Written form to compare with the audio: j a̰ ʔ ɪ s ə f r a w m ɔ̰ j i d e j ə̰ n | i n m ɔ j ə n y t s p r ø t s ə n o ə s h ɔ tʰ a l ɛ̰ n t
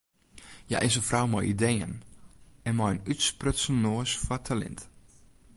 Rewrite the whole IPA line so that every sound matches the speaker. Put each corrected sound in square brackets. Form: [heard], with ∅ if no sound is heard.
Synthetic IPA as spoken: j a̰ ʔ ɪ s ə f r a w m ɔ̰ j i d e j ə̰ n | [ɛ] n m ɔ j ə n y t s p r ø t s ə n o ə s [f] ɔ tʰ a l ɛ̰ n t